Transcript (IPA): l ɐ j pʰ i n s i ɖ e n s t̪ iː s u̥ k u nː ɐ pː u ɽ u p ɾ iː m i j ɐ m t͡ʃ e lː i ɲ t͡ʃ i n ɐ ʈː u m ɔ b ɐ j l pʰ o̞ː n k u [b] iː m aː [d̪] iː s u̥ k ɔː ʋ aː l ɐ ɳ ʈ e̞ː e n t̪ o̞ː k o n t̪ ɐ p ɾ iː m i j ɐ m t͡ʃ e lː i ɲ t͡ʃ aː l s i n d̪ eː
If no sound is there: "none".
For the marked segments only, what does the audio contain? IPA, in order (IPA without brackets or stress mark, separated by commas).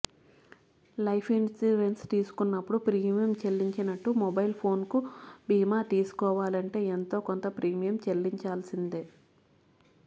b, t̪